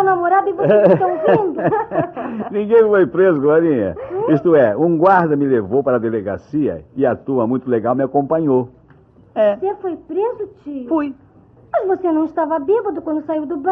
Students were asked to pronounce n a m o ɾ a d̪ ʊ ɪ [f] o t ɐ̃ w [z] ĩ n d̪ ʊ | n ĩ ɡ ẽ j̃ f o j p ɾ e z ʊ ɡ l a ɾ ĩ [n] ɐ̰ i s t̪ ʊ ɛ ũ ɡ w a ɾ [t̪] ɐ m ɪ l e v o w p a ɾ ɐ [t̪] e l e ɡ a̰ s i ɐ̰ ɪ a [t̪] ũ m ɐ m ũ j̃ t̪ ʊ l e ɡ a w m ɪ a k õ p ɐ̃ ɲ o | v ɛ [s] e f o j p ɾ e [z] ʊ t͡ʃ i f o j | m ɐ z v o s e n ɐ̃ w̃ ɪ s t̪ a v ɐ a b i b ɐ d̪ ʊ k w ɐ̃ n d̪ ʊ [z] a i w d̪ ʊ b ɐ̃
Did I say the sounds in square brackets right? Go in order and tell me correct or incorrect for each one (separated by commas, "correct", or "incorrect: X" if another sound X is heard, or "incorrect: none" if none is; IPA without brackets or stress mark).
incorrect: v, incorrect: v, incorrect: ɲ, incorrect: d̪, incorrect: d̪, correct, correct, correct, incorrect: s